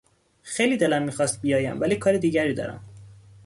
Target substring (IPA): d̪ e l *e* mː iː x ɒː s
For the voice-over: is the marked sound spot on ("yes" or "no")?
no